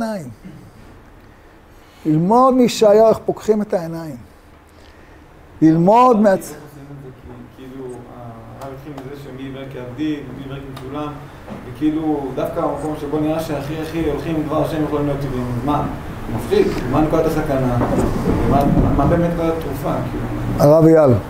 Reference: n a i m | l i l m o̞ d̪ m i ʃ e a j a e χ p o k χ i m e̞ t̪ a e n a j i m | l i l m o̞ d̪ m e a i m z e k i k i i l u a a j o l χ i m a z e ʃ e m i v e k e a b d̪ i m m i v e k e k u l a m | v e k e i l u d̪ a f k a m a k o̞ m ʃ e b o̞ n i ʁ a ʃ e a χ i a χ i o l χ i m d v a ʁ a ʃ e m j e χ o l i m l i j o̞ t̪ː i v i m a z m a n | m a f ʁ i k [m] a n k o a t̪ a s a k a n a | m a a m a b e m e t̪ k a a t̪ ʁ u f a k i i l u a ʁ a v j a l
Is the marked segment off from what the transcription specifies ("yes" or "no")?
no